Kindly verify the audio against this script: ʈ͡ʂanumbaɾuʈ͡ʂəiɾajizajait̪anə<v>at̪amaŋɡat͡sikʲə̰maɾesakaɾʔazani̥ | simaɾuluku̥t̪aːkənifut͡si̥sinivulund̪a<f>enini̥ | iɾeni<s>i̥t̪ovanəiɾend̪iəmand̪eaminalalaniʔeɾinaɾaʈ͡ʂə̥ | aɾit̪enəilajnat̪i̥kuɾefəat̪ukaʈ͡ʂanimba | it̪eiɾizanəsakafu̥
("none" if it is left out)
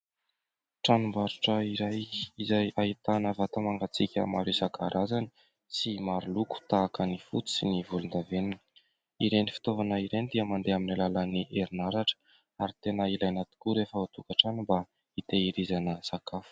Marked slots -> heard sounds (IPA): v, v, f

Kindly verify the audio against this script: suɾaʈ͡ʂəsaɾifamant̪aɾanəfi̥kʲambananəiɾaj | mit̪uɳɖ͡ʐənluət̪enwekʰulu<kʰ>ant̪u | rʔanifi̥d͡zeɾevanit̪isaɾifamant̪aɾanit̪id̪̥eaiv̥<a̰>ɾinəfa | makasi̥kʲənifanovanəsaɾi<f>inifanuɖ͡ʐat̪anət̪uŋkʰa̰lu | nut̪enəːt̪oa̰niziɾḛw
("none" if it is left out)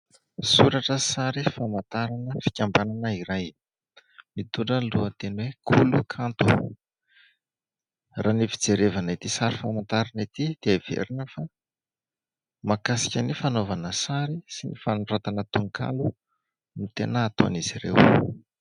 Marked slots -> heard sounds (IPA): kʰ, ḛ, s

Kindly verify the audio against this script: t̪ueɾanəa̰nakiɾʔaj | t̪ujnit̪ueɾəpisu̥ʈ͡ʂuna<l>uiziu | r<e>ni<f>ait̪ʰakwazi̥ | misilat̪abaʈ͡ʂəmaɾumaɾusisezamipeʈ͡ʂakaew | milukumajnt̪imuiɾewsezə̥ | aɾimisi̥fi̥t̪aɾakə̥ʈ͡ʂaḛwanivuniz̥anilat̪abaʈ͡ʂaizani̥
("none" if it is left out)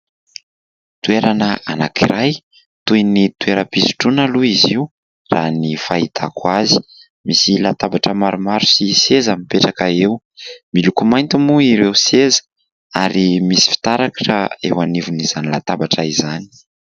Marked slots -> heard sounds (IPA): l, a, f

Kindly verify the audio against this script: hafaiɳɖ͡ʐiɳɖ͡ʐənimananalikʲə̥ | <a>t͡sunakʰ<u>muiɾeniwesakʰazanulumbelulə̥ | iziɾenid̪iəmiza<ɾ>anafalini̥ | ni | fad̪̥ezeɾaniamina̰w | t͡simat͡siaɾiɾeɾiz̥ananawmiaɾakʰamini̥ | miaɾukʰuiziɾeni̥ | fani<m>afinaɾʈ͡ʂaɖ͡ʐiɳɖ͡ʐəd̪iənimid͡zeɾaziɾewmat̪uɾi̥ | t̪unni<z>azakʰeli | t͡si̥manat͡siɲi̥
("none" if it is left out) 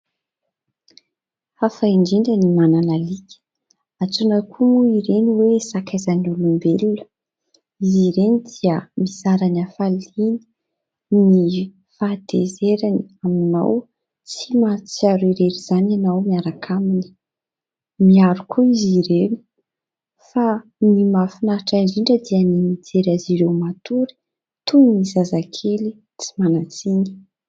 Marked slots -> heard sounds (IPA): a, u, ɾ, m, z

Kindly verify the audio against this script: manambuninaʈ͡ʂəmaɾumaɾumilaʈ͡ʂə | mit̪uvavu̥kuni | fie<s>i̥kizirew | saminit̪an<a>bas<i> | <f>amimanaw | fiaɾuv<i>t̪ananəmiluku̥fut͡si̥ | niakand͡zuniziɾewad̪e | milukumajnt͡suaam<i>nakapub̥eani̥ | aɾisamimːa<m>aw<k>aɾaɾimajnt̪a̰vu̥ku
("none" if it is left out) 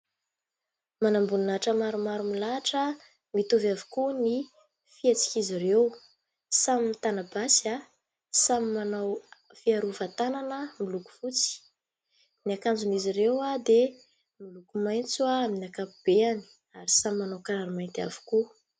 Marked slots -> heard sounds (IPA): t͡s, a, a, s, a, i, n, k

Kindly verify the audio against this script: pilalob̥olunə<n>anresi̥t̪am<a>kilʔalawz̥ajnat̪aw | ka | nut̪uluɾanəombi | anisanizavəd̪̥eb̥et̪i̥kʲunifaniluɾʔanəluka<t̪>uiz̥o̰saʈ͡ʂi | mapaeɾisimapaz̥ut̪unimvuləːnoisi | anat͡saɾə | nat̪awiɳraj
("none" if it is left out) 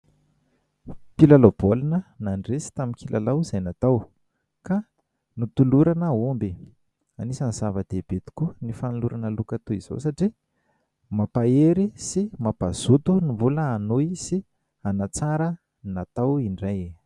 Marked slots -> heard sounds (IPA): n, i, t̪

